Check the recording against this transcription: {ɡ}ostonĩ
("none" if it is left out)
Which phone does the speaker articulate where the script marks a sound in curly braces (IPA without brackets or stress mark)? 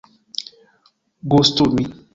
ɡ